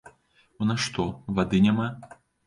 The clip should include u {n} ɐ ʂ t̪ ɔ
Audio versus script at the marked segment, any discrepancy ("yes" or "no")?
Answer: no